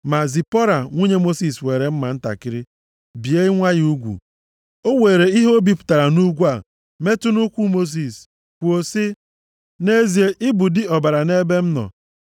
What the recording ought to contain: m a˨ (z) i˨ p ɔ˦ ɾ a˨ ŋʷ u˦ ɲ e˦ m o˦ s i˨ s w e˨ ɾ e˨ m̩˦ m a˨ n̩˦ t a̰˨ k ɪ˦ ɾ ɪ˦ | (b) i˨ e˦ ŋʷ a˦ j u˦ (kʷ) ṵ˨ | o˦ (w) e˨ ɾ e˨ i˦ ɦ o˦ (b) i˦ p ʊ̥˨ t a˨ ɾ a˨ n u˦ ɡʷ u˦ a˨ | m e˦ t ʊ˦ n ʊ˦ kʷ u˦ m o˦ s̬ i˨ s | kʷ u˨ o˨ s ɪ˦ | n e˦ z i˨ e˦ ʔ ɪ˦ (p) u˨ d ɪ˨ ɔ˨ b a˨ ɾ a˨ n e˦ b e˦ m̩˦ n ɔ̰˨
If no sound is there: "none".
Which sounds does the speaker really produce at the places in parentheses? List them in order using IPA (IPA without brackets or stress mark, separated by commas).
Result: z, b, ɡʷ, w, b, b